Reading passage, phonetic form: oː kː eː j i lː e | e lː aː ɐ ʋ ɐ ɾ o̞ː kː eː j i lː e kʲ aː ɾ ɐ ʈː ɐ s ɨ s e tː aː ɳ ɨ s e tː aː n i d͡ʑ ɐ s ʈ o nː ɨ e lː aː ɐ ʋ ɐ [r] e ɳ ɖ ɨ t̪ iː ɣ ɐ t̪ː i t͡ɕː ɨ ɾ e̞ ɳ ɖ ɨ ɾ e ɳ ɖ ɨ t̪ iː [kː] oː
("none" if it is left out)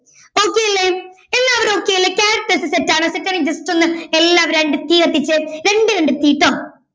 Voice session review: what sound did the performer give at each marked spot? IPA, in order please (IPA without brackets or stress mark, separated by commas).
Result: ɾ, ʈː